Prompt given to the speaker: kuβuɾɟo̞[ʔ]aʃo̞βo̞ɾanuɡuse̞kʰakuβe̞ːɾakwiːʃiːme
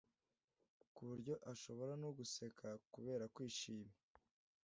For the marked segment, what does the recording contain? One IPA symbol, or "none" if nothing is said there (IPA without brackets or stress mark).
ʔ